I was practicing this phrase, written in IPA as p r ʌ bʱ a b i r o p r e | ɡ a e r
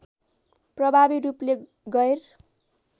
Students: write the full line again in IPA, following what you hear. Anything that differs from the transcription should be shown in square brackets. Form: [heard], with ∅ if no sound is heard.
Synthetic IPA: p r ʌ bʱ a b i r [u] p [l] e | ɡ [ʌ] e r